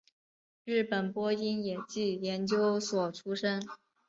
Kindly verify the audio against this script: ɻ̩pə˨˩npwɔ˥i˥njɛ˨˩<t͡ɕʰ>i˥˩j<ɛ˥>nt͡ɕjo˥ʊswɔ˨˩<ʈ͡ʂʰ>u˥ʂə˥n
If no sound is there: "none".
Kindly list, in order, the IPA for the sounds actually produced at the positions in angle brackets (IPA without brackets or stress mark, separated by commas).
t͡ɕ, ɛ˧˥, ʈ͡ʂʰ